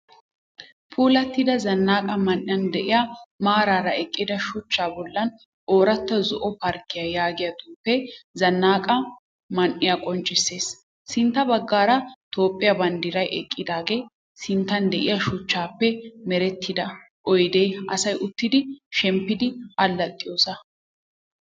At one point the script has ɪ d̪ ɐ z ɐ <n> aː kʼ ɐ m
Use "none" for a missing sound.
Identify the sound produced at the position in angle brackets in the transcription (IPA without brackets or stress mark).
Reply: nː